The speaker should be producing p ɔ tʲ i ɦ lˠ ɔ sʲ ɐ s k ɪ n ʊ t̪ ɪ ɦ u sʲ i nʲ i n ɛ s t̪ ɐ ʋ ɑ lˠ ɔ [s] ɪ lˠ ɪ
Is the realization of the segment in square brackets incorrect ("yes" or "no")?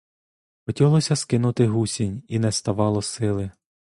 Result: no